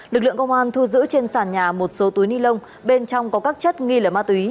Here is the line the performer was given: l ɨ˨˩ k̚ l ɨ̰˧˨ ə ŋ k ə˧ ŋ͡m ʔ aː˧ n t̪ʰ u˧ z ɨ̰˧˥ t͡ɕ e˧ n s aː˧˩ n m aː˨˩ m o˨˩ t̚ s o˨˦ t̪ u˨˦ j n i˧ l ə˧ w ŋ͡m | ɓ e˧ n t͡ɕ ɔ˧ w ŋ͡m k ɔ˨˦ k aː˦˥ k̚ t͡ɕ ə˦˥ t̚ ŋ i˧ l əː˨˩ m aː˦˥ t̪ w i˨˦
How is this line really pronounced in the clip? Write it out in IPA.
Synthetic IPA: l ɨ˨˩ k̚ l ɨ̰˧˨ ə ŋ k ə˧ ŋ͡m ʔ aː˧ n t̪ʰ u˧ z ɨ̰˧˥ t͡ɕ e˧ n s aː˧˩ n ɲ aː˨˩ m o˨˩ t̚ s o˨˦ t̪ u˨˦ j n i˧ l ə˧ w ŋ͡m | ɓ e˧ n t͡ɕ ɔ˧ w ŋ͡m k ɔ˨˦ k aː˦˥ k̚ t͡ɕ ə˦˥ t̚ ŋ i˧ l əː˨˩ m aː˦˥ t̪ w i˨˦